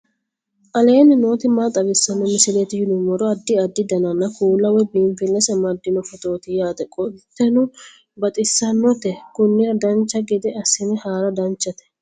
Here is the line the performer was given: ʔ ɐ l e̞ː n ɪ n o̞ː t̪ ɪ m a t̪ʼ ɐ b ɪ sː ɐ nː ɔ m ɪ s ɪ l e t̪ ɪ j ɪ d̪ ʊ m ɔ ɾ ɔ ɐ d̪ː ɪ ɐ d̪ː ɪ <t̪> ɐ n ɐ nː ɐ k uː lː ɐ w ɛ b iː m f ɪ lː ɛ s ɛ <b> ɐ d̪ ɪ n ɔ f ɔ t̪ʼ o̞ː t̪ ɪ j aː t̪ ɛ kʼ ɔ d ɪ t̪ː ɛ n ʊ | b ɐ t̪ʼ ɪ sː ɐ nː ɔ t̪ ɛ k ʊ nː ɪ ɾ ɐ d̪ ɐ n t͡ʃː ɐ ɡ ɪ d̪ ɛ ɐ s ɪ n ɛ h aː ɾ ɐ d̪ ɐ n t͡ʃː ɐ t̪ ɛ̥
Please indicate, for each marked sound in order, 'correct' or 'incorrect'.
incorrect: d̪, incorrect: m

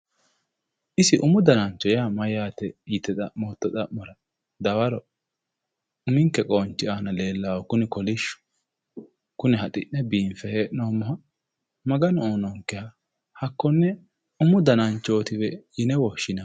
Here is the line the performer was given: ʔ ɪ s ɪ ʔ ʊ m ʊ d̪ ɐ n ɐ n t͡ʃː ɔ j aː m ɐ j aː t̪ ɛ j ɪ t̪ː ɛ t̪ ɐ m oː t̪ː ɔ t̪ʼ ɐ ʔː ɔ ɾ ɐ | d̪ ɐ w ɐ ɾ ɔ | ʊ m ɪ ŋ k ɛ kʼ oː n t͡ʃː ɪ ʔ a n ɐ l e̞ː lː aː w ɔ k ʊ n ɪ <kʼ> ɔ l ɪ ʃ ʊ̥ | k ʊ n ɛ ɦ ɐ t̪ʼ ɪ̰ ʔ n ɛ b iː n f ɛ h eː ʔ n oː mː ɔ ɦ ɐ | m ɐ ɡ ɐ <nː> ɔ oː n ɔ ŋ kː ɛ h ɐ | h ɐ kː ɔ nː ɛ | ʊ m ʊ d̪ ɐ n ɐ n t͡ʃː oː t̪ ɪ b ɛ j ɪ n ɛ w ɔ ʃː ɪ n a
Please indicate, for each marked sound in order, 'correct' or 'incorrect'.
incorrect: k, incorrect: n

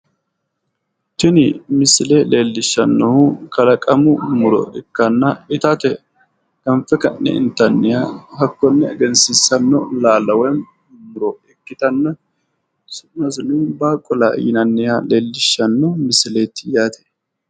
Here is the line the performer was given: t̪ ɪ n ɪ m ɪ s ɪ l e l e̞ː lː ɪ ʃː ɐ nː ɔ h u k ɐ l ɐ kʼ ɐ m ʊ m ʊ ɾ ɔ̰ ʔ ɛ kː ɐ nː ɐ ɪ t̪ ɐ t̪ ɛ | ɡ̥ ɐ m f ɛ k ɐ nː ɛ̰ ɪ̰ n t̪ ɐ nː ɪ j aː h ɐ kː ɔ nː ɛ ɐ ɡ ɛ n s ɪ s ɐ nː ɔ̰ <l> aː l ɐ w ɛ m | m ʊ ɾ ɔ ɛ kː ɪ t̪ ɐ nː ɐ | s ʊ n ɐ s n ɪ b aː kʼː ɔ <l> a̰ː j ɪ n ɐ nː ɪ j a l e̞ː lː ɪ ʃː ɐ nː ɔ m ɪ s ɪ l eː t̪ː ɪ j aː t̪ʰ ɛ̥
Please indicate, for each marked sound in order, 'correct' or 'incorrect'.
correct, correct

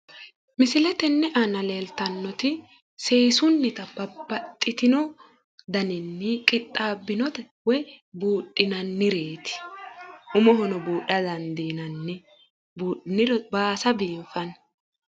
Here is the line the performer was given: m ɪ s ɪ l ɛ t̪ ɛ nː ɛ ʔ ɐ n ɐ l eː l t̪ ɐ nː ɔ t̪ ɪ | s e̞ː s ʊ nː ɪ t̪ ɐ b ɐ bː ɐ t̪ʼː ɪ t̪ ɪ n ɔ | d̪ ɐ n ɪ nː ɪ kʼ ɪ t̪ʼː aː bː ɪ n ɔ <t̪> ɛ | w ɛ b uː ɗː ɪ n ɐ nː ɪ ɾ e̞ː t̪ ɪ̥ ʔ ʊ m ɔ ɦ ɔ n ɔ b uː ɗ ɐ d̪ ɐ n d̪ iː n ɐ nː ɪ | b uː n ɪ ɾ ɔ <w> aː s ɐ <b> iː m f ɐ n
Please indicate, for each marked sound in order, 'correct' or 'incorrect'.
correct, incorrect: b, correct

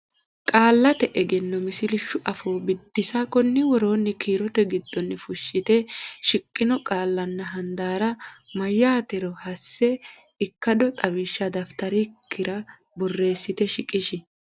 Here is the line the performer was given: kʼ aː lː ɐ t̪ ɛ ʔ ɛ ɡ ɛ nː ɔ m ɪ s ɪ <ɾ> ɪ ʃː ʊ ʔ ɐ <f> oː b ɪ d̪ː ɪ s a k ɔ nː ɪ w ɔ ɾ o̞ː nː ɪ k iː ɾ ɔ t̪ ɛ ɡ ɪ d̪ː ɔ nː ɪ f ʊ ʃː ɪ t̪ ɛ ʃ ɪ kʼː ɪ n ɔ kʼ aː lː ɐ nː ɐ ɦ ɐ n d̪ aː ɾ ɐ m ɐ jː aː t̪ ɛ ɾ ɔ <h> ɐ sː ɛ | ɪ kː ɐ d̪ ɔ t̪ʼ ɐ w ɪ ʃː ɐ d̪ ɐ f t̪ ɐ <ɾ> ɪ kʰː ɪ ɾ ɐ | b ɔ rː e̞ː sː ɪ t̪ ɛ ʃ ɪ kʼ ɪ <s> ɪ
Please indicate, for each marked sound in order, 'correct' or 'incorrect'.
incorrect: l, correct, correct, correct, incorrect: ʃ

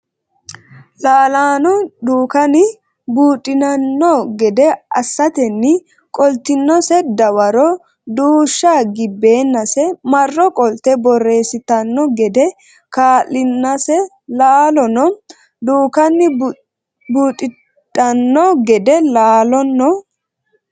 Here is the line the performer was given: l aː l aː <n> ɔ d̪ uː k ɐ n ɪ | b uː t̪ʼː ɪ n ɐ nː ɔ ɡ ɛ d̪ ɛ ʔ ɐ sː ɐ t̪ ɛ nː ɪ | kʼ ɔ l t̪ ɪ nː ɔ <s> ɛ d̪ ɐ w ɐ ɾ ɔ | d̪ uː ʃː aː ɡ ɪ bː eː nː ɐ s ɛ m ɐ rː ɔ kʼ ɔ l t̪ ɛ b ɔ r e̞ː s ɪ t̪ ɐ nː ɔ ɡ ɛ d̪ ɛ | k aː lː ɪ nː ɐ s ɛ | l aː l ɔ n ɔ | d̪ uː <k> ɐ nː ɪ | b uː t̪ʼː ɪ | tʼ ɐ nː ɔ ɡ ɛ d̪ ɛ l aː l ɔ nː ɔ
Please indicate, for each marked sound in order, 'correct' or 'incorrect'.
correct, correct, correct

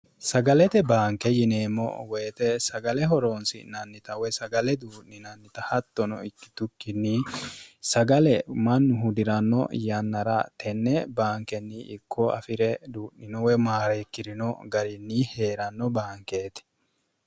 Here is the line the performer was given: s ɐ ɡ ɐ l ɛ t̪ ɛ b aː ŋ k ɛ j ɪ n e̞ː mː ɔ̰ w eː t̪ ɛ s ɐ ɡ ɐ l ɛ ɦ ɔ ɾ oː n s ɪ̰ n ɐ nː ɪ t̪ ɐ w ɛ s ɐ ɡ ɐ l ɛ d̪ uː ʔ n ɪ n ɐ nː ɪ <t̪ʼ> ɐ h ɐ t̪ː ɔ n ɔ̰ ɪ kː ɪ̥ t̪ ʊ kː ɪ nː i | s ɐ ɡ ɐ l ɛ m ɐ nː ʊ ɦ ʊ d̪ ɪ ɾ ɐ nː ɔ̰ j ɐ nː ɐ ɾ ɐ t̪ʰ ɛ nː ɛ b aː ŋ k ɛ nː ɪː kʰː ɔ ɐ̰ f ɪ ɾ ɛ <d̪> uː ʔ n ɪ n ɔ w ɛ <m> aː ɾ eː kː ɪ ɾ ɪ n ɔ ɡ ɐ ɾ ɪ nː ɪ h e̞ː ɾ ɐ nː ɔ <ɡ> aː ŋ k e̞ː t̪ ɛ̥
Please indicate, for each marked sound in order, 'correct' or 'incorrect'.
incorrect: t̪, correct, correct, incorrect: b

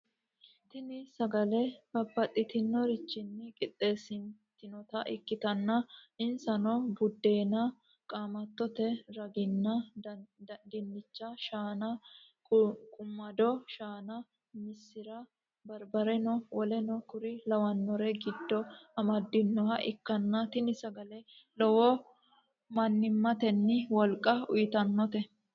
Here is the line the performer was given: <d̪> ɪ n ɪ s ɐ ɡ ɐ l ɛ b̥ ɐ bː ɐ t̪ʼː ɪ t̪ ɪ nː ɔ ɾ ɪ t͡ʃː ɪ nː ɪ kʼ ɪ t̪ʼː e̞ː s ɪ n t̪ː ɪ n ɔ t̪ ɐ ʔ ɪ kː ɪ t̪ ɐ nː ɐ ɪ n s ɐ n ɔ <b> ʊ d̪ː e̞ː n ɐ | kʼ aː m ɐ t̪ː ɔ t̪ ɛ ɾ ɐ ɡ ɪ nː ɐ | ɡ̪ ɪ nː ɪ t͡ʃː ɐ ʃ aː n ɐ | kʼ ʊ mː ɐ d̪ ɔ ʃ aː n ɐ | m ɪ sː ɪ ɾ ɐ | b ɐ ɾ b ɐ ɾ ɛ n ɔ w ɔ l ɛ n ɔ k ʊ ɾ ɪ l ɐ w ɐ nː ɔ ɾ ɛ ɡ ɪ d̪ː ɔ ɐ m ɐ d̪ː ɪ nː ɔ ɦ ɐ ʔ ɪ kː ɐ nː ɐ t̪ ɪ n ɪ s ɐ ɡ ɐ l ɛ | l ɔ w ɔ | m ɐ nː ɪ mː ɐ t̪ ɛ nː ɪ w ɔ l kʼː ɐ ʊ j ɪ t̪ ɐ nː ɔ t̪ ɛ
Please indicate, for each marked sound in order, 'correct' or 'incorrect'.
incorrect: t̪, correct

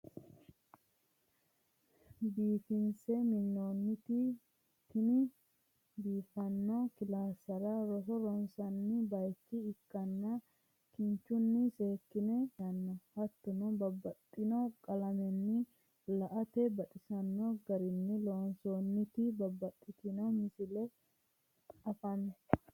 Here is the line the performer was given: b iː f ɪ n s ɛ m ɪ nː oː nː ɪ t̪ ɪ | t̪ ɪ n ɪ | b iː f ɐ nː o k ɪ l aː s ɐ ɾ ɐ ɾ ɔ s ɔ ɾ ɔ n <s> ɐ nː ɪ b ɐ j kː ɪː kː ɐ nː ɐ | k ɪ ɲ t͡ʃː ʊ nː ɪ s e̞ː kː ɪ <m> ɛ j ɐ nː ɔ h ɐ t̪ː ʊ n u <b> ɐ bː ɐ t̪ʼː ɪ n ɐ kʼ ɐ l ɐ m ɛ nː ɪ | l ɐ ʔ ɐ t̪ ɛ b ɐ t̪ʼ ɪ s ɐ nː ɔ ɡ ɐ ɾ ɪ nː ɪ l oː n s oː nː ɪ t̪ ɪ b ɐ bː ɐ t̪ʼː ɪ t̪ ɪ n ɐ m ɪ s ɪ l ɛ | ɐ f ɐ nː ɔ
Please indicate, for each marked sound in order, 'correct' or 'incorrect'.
correct, incorrect: n, correct

